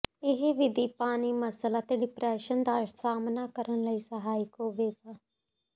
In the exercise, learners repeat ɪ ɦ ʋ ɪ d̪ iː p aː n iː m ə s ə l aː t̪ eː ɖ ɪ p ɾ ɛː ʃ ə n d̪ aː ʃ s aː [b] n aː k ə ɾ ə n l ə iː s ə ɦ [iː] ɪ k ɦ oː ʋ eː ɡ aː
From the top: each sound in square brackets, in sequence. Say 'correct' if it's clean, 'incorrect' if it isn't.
incorrect: m, incorrect: aː

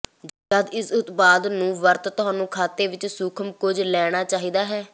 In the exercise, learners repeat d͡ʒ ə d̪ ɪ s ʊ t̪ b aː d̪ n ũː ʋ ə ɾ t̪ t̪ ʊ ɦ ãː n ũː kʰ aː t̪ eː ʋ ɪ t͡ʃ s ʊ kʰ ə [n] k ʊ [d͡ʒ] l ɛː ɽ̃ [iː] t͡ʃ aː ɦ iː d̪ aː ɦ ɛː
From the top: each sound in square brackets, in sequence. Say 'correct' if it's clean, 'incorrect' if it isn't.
incorrect: m, correct, incorrect: aː

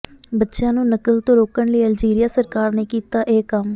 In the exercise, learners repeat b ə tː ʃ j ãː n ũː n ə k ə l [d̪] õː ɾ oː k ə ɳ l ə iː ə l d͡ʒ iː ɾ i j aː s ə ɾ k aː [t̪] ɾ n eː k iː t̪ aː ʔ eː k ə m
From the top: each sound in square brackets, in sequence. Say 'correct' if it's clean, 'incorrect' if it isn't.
incorrect: t̪, incorrect: none

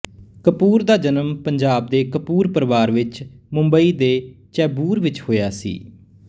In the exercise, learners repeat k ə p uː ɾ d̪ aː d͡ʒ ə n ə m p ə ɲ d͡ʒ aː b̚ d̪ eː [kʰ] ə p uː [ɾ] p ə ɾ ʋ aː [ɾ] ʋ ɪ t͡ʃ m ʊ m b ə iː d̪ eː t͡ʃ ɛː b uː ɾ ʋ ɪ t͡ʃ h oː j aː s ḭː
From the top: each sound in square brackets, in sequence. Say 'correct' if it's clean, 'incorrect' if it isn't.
incorrect: k, correct, correct

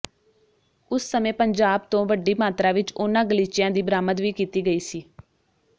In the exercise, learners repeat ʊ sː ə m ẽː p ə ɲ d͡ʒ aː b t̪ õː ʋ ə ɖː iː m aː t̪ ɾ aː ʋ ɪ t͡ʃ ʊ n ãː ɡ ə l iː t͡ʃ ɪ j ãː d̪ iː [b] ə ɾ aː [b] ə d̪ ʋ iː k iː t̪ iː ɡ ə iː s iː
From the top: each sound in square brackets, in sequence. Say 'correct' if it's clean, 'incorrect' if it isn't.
correct, incorrect: m

